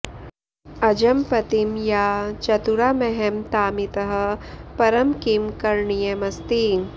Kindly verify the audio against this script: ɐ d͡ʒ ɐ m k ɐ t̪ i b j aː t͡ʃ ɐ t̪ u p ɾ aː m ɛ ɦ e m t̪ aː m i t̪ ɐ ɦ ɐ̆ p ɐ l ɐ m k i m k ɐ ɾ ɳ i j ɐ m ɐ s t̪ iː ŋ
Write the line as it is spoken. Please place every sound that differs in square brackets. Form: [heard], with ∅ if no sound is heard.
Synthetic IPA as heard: ɐ d͡ʒ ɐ m [p] ɐ t̪ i [m] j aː t͡ʃ ɐ t̪ u [∅] ɾ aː m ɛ ɦ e m t̪ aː m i t̪ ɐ ɦ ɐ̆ p ɐ [ɾ] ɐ m k i m k ɐ ɾ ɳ i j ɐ m ɐ s t̪ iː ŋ